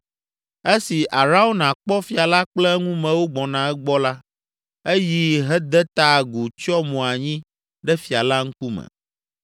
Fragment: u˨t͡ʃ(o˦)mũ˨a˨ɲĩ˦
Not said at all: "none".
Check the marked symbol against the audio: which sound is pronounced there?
ɔ˦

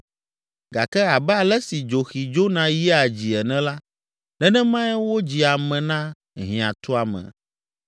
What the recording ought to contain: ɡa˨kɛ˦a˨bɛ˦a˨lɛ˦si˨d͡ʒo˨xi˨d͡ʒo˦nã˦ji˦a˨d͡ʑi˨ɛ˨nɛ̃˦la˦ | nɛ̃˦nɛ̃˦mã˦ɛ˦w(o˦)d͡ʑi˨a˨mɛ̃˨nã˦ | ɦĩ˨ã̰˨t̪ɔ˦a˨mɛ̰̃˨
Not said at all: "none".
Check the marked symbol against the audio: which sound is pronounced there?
o˦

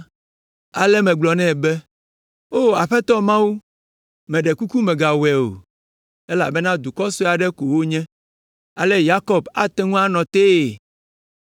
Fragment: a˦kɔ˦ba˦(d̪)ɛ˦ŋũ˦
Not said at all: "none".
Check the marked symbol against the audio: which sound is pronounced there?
t̪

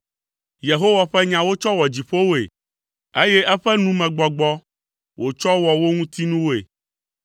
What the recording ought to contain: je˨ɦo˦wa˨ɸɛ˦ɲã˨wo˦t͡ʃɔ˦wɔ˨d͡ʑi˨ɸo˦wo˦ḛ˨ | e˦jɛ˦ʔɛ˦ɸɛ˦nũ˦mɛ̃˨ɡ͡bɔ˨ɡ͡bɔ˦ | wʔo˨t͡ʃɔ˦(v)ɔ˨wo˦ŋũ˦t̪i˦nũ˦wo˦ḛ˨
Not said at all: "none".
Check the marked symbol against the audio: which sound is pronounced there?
w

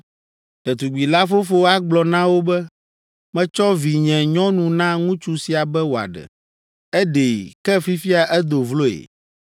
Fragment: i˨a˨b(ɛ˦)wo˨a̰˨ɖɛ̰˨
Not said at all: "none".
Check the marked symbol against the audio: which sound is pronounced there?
ɛ˦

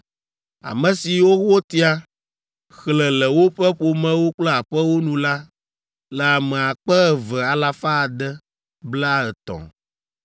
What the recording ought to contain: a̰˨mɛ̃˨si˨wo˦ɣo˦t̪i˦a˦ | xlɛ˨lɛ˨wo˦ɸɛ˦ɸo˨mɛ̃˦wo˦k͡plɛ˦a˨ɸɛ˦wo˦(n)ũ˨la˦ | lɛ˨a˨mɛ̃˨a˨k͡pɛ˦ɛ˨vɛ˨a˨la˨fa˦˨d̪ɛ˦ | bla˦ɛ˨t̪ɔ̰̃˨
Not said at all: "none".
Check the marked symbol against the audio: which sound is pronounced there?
n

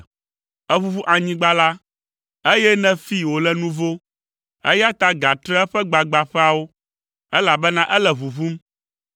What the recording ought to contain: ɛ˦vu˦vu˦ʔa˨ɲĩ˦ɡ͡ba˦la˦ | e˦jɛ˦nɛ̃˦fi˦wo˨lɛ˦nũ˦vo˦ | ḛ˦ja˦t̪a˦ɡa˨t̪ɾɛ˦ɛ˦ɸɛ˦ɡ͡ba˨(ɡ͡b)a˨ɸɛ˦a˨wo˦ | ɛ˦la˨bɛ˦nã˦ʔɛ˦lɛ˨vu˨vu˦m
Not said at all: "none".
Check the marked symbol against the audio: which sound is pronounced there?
ɡ͡b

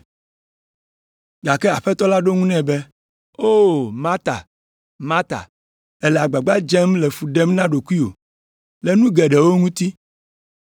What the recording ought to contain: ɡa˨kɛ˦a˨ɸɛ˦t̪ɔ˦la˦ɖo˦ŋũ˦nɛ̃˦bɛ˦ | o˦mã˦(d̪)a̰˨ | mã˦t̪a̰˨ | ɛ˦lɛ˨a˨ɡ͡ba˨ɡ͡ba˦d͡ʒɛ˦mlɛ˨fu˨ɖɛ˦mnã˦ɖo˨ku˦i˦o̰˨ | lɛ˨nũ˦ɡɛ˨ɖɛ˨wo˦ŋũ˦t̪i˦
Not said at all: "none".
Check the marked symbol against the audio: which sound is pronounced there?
t̪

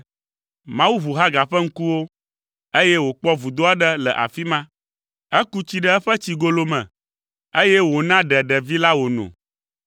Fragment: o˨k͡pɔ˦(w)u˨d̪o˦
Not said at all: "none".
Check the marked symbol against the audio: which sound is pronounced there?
v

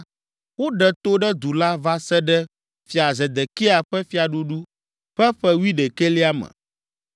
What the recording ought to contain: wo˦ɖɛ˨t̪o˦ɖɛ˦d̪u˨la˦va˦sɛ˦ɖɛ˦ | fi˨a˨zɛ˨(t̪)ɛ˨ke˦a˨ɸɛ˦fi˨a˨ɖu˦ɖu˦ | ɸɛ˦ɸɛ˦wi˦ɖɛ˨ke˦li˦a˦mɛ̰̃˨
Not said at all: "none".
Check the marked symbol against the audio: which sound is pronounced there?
d̪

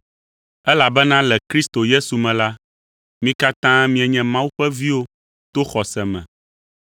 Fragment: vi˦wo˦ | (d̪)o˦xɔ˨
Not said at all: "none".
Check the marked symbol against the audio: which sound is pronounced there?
t̪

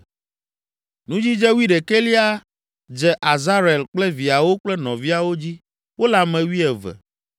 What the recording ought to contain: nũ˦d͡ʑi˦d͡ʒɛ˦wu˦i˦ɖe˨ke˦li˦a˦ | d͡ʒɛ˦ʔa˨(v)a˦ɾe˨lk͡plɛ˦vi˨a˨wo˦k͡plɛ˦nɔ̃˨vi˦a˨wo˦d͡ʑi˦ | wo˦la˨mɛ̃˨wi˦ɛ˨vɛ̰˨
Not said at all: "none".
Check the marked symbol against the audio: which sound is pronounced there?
z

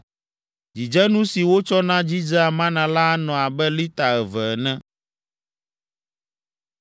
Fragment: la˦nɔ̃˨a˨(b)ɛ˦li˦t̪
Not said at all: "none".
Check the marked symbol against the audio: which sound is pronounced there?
b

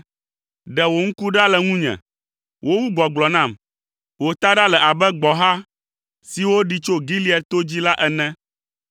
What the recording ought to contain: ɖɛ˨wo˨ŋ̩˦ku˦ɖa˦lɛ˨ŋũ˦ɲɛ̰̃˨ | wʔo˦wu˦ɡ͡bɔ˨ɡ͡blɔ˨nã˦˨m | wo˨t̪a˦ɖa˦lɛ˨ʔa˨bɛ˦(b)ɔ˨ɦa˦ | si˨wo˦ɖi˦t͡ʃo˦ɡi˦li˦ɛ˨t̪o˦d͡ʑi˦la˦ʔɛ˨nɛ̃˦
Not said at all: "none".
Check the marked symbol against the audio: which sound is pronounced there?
ɡ͡b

